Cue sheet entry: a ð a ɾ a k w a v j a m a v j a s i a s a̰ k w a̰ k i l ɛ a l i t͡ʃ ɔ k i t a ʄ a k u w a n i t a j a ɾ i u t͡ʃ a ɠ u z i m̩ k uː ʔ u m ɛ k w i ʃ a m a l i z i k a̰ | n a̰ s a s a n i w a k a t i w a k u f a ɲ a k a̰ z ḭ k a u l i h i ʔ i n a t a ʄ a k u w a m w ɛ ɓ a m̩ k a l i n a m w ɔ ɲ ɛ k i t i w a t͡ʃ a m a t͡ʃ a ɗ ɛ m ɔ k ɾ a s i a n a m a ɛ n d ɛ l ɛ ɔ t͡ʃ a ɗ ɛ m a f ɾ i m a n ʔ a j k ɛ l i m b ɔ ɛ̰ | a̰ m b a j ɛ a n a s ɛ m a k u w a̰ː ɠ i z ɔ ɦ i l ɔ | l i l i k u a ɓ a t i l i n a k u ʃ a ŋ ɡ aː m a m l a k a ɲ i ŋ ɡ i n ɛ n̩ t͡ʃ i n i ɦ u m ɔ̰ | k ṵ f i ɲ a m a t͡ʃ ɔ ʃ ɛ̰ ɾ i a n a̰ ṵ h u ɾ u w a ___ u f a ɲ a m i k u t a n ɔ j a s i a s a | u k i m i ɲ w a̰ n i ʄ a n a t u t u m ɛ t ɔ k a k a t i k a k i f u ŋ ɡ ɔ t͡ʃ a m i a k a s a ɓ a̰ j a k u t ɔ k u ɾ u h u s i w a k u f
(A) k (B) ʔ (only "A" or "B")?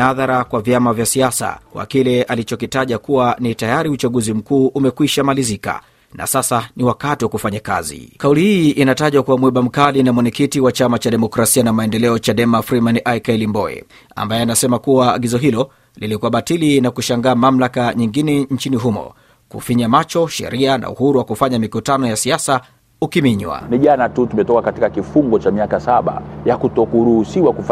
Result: A